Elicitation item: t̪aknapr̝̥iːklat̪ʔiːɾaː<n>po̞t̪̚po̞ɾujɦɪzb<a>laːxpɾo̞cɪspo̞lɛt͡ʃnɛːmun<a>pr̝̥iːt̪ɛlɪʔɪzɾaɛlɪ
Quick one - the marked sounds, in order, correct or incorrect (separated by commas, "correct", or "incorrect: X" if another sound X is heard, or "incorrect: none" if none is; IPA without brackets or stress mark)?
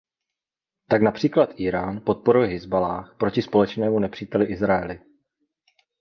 correct, correct, incorrect: ɛ